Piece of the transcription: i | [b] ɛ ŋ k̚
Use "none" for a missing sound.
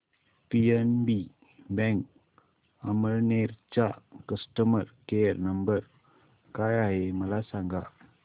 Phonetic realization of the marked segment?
b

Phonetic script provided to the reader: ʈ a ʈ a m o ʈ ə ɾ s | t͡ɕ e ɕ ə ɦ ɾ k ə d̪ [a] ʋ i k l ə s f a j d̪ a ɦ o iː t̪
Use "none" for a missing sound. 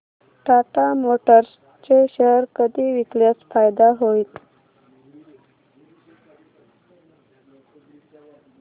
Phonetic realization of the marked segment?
i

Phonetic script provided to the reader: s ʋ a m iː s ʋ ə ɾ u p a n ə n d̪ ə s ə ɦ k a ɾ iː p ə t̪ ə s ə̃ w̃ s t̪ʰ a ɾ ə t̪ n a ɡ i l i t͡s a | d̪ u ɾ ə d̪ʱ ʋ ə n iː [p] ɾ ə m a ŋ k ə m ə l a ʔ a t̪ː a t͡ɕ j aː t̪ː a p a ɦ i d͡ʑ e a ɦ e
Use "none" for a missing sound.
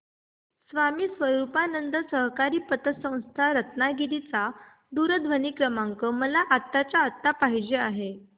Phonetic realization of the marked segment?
k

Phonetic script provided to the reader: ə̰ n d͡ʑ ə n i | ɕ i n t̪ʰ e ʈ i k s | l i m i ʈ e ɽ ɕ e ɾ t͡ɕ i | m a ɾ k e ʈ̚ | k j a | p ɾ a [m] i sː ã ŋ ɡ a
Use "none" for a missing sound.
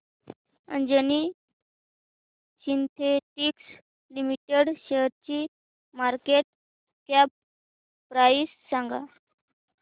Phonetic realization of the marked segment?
none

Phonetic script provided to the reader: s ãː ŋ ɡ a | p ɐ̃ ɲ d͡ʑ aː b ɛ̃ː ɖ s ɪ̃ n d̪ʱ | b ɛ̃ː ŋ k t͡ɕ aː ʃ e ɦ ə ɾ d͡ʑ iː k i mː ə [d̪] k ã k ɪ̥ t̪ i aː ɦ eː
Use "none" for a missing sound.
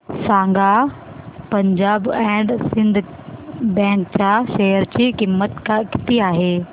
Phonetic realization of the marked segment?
t̪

